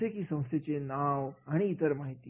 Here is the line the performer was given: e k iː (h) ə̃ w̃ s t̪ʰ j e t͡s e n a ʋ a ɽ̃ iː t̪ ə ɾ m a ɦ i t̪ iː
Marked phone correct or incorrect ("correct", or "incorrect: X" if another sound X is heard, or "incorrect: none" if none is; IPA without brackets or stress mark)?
incorrect: s